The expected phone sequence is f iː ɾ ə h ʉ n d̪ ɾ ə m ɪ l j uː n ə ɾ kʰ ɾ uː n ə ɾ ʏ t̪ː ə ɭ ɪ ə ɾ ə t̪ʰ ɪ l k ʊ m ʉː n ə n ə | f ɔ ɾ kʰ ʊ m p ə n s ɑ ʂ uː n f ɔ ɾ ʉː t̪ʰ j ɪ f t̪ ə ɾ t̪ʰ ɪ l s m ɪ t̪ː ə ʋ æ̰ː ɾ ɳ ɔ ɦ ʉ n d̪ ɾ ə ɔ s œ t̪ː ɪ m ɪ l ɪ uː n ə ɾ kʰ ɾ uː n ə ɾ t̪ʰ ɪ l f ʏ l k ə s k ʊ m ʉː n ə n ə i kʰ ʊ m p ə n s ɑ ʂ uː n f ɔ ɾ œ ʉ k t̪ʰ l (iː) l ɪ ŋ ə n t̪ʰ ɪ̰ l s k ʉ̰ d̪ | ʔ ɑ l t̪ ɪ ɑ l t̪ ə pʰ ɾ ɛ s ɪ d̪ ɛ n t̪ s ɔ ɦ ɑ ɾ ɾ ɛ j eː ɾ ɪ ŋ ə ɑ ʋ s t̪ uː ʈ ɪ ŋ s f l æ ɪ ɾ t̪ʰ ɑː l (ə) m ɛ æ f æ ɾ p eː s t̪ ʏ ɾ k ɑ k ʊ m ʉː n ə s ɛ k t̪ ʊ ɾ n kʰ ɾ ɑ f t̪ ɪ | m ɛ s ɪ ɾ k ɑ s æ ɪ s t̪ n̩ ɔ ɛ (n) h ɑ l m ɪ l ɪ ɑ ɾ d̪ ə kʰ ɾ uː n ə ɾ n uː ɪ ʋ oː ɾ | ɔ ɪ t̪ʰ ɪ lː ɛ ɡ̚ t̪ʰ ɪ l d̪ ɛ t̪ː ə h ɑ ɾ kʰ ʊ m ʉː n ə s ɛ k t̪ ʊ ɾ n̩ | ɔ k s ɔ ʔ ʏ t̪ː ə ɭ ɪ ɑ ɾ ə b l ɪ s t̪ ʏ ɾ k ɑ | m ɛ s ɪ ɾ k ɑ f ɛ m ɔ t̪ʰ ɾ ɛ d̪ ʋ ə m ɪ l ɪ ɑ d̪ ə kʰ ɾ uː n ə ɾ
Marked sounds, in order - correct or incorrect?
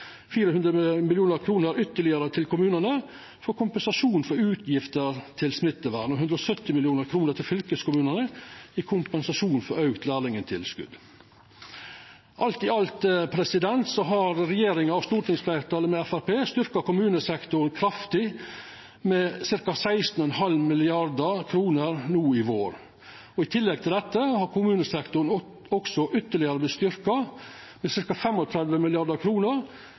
incorrect, correct, correct

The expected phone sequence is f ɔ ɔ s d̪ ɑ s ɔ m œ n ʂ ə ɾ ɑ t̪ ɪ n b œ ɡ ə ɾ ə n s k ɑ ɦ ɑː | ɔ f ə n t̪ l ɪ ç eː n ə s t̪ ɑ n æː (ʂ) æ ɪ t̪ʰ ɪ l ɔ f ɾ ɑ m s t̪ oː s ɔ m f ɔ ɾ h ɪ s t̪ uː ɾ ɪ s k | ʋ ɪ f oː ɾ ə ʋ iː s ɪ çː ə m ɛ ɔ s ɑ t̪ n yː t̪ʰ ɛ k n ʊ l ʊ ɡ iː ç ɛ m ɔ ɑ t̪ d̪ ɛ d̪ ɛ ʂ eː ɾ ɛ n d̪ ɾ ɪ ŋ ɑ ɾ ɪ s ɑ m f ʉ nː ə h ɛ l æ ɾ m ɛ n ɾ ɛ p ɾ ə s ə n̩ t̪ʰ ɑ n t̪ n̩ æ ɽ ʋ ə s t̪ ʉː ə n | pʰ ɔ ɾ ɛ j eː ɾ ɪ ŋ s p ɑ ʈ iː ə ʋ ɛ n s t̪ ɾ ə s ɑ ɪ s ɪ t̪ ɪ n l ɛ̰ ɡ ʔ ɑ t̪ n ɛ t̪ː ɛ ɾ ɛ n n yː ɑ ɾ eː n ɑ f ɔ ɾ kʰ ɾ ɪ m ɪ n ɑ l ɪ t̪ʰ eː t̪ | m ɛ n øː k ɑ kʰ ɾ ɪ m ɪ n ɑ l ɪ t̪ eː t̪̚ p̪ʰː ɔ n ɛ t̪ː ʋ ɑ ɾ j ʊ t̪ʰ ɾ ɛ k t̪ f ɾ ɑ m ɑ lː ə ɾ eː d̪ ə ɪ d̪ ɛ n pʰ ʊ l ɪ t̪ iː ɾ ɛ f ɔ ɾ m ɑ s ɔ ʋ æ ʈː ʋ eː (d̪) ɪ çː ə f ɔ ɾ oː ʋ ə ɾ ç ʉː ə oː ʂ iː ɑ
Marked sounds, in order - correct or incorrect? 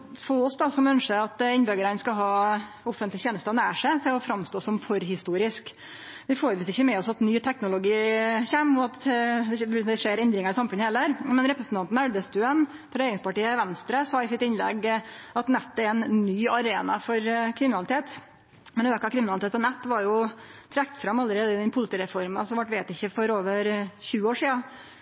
correct, incorrect

